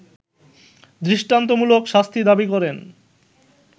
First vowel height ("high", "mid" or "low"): high